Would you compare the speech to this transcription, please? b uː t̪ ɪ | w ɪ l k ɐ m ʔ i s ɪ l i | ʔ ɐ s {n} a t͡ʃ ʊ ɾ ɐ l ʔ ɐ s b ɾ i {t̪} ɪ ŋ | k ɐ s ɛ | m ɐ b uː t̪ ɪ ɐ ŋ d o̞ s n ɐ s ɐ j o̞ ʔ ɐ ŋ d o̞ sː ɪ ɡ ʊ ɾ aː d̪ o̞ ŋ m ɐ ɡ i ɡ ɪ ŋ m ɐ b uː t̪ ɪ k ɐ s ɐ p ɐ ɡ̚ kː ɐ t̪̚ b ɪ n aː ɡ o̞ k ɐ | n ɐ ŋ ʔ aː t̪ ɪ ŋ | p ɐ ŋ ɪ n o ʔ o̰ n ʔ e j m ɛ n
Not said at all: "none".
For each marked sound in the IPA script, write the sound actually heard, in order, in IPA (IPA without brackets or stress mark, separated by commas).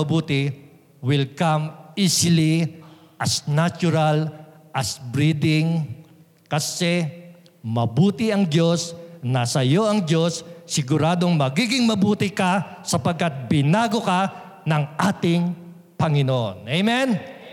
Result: n, d̪